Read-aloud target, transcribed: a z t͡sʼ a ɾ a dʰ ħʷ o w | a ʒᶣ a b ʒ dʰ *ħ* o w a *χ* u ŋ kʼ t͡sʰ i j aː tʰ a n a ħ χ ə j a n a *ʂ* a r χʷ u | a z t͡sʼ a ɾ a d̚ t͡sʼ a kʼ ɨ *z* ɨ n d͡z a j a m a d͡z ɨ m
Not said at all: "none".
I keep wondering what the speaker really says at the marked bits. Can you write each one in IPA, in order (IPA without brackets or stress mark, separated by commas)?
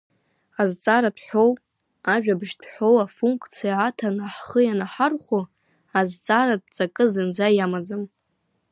ħ, f, ħ, z